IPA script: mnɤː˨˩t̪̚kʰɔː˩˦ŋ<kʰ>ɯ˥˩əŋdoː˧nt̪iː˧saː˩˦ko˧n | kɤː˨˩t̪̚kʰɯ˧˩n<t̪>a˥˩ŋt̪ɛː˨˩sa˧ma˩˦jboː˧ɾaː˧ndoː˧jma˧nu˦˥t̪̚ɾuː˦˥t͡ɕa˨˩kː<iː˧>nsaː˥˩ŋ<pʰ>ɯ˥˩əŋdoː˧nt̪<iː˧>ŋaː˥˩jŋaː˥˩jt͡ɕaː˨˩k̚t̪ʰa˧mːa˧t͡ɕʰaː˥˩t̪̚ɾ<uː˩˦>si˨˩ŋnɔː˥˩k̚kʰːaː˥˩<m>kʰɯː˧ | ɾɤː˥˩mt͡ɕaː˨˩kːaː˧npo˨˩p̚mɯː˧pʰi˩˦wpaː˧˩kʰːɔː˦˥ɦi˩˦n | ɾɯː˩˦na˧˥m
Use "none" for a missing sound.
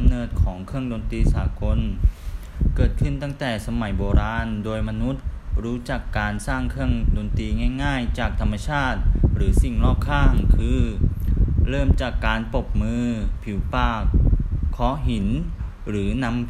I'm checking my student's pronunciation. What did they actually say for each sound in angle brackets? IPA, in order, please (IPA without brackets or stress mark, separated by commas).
kʰ, t̪, aː˧, kʰ, iː˧, ɯː˩˦, ŋ